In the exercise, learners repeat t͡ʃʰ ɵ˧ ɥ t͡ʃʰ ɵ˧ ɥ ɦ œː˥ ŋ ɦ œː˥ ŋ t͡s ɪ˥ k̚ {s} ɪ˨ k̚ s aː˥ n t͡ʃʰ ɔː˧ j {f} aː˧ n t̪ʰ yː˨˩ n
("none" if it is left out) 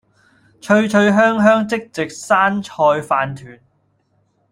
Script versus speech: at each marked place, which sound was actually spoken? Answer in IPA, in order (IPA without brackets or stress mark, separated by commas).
t͡s, f